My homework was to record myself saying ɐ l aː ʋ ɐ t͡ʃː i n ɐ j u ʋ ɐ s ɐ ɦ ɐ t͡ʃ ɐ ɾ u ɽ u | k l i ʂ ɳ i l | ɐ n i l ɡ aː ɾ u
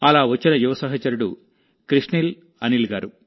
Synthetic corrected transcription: ɐ l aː ʋ ɐ t͡ʃː i n ɐ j u ʋ ɐ s ɐ ɦ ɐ t͡ʃ ɐ ɾ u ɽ u | k ɾ i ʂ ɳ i l | ɐ n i l ɡ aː ɾ u